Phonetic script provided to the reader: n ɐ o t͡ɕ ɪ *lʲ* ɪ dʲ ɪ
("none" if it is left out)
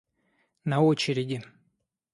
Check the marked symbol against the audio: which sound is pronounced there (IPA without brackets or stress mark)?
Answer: ɾʲ